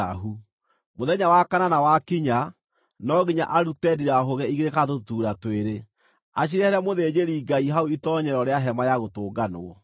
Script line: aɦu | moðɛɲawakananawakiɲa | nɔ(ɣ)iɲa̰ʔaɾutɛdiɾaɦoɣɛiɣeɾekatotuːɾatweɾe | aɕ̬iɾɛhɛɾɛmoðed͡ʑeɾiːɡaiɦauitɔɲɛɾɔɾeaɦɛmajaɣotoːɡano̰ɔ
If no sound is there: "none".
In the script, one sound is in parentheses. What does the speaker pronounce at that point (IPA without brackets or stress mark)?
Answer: ɣ